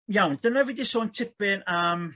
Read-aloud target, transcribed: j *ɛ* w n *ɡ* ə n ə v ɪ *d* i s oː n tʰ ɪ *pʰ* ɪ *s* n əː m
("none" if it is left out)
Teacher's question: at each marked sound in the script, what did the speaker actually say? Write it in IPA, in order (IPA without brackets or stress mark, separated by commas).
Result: a, d, d, p, none